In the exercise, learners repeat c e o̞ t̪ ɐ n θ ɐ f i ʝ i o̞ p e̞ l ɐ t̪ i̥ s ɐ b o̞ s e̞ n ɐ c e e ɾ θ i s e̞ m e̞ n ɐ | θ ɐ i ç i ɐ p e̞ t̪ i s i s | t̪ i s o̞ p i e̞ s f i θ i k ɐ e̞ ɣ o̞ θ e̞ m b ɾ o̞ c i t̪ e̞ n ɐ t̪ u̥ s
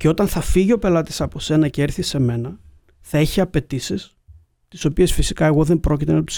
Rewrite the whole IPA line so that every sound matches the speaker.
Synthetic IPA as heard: c e o̞ t̪ ɐ n θ ɐ f i ʝ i o̞ p e̞ l ɐ t̪ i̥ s ɐ p o̞ s e̞ n ɐ c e e ɾ θ i s e̞ m e̞ n ɐ | θ ɐ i ç i ɐ p e̞ t̪ i s i s | t̪ i s o̞ p i e̞ s f i s i k ɐ e̞ ɣ o̞ ð e̞ m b ɾ o̞ c i t̪ e̞ n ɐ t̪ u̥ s